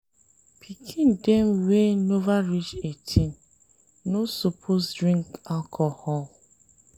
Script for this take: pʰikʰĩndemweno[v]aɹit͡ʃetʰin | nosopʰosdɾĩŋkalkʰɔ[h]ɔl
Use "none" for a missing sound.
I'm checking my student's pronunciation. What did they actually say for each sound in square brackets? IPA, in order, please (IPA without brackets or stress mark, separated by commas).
v, h